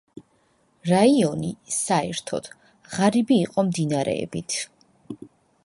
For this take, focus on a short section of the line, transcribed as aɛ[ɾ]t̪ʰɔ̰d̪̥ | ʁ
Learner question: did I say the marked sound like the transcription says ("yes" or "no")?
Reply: yes